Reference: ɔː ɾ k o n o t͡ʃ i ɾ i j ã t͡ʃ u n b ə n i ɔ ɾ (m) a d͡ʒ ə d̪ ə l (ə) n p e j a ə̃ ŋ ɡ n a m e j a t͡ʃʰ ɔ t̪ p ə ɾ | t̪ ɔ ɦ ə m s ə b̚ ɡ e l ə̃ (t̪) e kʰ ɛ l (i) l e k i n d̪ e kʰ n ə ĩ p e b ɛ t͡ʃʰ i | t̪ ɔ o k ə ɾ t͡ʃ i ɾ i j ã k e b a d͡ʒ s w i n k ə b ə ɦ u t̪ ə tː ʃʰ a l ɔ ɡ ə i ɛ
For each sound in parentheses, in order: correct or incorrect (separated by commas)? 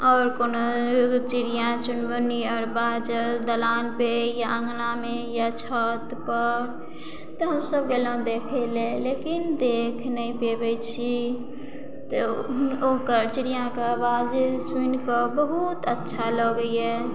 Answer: incorrect, incorrect, incorrect, incorrect